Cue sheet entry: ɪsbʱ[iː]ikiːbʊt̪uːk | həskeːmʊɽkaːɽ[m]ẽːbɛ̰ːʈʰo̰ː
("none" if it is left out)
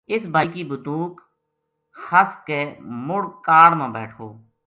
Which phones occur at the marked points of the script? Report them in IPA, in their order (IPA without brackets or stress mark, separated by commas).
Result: aː, m